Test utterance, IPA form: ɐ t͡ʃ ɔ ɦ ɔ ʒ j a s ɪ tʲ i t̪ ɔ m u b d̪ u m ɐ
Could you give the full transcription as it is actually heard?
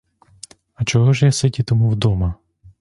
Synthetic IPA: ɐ t͡ʃ ɔ ɦ ɔ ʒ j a s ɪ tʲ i t̪ ɔ m u w d̪ ɔ m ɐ